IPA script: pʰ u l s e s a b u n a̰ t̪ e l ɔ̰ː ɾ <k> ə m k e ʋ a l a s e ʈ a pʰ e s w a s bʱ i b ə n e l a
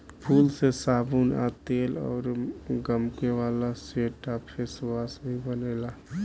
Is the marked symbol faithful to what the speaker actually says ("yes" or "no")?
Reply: no